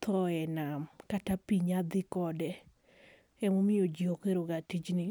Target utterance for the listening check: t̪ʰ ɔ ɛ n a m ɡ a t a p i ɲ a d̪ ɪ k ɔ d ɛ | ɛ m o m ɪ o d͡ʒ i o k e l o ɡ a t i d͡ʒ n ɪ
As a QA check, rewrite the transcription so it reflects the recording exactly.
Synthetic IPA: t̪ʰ ɔ ɛ n a m k a t a p i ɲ a d̪ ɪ k ɔ d ɛ | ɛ m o m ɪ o d͡ʒ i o k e ɾ o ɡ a t i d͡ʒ n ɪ

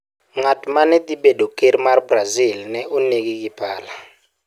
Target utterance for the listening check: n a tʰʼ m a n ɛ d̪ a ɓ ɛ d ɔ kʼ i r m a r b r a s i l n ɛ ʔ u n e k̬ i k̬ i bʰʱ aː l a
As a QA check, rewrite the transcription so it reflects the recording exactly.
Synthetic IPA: ŋ a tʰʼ m a n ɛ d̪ i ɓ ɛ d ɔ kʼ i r m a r b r a z i l n ɛ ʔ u n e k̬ i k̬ i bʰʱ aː l a

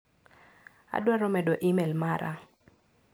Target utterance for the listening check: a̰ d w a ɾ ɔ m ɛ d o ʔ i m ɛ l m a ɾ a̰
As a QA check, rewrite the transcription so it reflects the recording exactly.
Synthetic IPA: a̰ d w a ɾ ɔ m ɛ d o ʔ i m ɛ l m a ɾ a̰

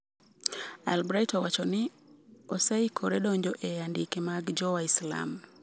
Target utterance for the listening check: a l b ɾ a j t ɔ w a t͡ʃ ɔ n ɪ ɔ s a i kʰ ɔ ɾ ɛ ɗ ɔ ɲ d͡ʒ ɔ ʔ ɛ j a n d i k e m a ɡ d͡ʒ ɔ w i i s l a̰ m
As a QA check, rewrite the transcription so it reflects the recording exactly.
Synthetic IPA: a l b ɾ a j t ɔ w a t͡ʃ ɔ n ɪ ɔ s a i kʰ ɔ ɾ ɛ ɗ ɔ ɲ d͡ʒ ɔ ʔ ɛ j a n d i k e m a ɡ d͡ʒ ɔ w a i s l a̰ m

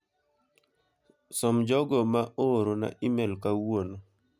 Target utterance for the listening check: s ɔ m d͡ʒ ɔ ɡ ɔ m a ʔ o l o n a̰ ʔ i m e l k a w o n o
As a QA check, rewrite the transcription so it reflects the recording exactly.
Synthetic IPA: s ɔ m d͡ʒ ɔ ɡ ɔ m a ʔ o ɾ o n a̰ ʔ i m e l k a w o n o

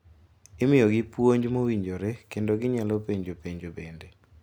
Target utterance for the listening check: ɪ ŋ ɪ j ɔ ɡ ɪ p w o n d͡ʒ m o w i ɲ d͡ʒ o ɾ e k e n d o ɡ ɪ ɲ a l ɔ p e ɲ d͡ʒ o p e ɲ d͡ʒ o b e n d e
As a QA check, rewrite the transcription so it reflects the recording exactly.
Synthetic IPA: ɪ m ɪ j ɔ ɡ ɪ p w o ɲ d͡ʒ m o w i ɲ d͡ʒ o ɾ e k e n d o ɡ ɪ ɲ a l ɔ p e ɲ d͡ʒ o p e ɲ d͡ʒ o b e n d e

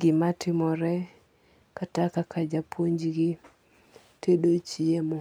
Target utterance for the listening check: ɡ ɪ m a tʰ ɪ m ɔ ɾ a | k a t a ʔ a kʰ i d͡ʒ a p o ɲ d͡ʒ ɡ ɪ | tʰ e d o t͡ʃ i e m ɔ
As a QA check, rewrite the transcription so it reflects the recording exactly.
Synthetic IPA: ɡ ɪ m a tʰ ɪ m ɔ ɾ ɛ | k a t a k a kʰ a d͡ʒ a p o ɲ d͡ʒ ɡ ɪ | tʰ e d o t͡ʃ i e m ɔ

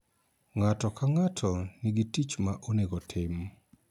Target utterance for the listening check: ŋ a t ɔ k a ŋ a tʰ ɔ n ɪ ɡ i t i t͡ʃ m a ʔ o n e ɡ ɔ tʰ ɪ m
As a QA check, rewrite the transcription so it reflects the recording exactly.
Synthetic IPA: ŋ a t ɔ k a ŋ a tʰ ɔ n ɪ ɡ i t i t͡ʃ m a ʔ o n e ɡ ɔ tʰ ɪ m

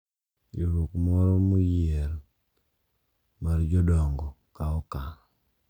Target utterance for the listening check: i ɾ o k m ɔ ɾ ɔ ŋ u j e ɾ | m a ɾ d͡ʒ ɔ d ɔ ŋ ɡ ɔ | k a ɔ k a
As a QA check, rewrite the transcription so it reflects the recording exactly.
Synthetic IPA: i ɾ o k m ɔ ɾ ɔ m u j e ɾ | m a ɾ d͡ʒ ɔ d ɔ ŋ ɡ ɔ | k a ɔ k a

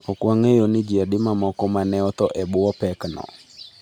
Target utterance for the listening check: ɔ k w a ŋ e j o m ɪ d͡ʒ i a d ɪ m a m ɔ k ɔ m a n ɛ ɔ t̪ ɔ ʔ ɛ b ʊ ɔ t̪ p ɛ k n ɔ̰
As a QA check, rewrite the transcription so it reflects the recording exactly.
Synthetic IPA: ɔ k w a ŋ e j o n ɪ d͡ʒ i a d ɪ m a m ɔ k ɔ m a n ɛ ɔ t̪ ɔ ʔ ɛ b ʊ ɔ p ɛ k n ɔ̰

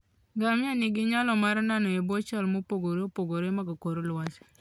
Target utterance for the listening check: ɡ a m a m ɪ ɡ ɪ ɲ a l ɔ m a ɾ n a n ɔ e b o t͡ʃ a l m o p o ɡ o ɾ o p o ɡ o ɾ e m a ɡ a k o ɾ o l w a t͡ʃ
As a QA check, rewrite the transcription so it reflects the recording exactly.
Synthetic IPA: ɡ a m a n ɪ ɡ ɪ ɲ a l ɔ m a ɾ n a n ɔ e b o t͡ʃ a l m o p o ɡ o ɾ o p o ɡ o ɾ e m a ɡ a k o ɾ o l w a t͡ʃ

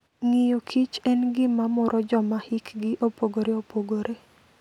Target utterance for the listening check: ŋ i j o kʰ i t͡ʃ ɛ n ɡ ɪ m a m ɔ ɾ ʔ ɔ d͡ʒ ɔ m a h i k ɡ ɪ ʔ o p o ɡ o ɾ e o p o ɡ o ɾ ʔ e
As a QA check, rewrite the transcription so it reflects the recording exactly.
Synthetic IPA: ŋ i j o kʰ i t͡ʃ ɛ n ɡ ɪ m a m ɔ ɾ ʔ ɔ d͡ʒ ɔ m a h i k ɡ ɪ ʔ o p o ɡ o ɾ e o p o ɡ o ɾ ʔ e

